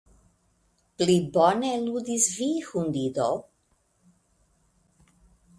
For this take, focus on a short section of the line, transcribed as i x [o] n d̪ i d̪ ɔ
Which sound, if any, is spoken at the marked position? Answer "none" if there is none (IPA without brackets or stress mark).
u